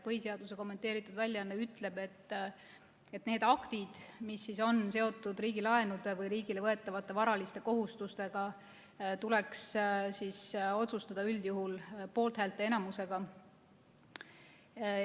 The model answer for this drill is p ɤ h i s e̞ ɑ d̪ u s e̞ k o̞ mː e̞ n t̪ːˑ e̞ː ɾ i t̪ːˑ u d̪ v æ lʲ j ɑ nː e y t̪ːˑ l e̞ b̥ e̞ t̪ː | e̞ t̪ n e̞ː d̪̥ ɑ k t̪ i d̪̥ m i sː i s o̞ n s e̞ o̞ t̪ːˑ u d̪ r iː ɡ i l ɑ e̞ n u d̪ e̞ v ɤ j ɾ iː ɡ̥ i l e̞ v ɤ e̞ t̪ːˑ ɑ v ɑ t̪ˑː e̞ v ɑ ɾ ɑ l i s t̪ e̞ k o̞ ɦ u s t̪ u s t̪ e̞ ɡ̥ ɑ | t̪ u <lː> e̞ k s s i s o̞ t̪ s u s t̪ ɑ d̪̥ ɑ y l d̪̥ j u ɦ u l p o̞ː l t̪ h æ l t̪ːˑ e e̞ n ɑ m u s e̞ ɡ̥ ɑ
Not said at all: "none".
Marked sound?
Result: l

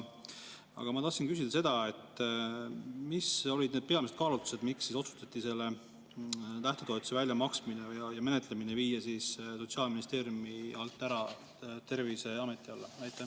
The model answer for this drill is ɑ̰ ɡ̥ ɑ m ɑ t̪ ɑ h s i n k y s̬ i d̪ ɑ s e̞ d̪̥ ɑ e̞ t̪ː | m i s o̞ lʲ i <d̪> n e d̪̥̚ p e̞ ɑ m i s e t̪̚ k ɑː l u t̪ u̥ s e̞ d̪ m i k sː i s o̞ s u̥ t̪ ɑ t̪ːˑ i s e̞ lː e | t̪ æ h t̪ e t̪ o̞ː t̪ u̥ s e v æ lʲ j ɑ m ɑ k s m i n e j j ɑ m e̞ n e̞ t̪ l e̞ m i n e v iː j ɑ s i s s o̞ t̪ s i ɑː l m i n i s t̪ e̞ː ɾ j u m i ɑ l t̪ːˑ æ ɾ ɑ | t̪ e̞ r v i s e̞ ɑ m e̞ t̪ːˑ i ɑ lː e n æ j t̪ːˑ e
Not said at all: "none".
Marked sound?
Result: d̪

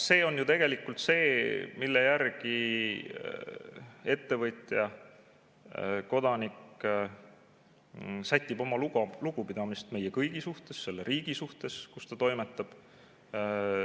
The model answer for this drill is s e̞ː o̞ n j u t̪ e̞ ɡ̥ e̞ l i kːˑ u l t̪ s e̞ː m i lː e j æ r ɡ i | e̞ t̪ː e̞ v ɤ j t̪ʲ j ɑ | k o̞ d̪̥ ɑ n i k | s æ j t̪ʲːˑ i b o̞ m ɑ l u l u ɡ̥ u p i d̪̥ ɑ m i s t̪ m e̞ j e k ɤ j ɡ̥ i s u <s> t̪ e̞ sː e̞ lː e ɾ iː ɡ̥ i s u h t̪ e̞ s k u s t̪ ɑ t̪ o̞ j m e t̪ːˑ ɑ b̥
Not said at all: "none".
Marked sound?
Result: h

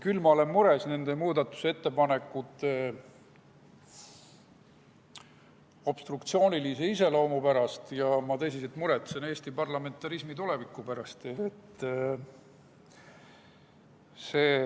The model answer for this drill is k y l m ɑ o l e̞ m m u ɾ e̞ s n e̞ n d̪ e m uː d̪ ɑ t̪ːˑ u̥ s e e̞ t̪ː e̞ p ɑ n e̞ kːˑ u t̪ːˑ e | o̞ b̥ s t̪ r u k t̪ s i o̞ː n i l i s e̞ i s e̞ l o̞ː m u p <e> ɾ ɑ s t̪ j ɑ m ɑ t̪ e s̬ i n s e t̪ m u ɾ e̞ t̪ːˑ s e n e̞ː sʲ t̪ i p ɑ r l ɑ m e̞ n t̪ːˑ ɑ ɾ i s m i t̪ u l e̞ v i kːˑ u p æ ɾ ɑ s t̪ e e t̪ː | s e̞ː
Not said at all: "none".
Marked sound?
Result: æ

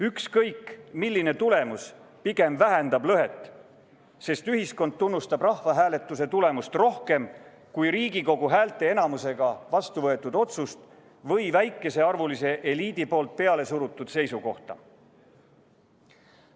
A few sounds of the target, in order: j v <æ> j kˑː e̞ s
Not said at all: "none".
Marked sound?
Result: æ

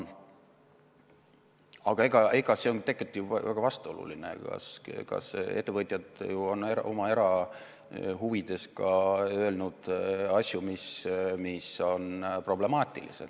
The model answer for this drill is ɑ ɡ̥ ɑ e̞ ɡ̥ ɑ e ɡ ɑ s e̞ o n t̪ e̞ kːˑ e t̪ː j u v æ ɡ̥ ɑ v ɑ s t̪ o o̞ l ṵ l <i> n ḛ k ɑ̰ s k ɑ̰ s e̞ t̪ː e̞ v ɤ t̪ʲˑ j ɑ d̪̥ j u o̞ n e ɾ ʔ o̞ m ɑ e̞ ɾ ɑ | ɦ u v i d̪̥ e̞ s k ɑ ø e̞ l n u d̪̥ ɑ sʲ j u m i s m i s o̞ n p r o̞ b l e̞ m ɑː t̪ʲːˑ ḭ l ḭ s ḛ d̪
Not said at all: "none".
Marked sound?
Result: i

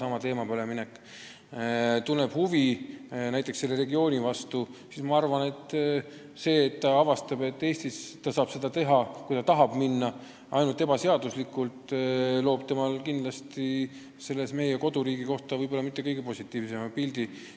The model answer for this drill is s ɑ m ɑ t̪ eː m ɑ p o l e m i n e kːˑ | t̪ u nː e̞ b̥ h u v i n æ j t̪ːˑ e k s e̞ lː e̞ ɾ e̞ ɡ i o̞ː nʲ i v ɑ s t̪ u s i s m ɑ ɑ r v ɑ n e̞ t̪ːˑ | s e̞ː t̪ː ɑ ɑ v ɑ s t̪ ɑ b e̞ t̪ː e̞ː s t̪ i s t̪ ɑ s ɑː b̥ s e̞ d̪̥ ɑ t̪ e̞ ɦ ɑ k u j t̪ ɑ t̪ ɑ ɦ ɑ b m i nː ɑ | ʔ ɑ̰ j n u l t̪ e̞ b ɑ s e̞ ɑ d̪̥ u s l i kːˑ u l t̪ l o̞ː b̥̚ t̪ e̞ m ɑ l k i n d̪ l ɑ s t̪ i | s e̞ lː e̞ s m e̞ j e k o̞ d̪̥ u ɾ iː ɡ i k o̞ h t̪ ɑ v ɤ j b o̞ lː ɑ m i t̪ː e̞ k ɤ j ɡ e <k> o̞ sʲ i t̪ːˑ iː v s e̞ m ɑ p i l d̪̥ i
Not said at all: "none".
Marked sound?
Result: p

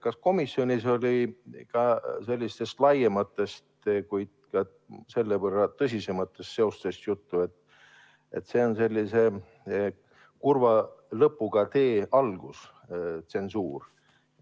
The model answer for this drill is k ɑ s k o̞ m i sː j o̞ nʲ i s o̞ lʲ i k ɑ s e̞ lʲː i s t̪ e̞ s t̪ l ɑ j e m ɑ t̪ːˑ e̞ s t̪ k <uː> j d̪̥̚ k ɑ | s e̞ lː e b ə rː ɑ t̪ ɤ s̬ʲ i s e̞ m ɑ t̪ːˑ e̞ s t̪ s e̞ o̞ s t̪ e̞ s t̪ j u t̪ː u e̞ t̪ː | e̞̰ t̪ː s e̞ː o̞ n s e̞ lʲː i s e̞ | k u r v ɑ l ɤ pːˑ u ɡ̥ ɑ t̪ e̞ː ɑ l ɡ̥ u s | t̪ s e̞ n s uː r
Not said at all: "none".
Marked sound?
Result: u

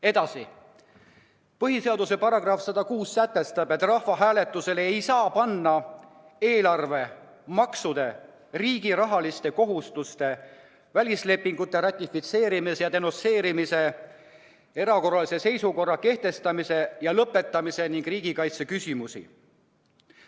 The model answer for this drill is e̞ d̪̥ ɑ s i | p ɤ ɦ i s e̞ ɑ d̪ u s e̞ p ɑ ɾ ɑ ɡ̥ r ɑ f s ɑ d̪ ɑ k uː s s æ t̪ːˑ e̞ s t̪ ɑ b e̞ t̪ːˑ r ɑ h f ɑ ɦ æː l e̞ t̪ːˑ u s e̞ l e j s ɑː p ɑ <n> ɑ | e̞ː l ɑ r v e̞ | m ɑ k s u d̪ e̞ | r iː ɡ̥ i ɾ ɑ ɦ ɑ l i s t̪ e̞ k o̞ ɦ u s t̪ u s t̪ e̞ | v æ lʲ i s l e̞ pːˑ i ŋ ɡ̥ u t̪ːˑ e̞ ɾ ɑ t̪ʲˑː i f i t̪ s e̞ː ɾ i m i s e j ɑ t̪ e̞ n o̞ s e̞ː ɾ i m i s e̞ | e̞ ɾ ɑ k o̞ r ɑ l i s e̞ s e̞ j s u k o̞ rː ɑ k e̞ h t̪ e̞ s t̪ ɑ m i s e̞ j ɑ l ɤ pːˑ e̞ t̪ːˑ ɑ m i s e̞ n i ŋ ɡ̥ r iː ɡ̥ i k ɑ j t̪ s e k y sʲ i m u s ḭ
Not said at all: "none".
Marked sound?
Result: nː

